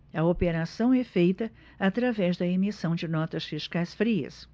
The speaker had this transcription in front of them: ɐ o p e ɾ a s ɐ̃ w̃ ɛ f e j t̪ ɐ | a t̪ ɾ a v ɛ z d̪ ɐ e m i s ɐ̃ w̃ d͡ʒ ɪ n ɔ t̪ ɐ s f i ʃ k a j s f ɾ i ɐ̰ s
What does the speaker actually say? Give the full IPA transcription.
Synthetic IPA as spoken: ɐ o p e ɾ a s ɐ̃ w̃ ɛ f e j t̪ ɐ | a t̪ ɾ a v ɛ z d̪ ɐ e m i s ɐ̃ w̃ d͡ʒ ɪ n ɔ t̪ ɐ s f i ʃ k a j s f ɾ i ɐ̰ s